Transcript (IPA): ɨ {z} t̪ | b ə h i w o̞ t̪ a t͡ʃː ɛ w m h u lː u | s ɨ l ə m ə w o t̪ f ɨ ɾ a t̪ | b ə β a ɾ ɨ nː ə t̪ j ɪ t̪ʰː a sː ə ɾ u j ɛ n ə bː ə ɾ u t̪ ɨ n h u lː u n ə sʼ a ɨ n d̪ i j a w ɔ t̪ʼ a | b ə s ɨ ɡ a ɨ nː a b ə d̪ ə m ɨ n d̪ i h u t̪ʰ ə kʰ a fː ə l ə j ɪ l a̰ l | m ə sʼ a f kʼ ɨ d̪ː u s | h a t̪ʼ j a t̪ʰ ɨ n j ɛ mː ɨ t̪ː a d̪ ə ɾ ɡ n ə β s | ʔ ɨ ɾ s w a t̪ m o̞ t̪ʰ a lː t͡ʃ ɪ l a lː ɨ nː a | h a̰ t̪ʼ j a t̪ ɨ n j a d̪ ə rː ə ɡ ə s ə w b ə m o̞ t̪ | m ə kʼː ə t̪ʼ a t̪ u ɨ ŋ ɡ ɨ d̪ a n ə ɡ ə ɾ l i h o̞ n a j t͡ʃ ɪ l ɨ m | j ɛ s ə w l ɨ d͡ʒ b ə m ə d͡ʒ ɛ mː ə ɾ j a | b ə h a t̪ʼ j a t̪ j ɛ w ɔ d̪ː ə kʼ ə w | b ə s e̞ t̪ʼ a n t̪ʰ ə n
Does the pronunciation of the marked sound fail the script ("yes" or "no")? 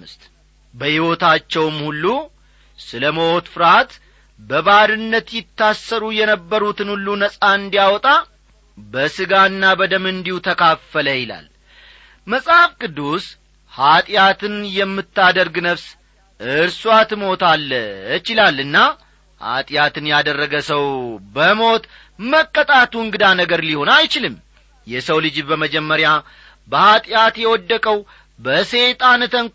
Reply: yes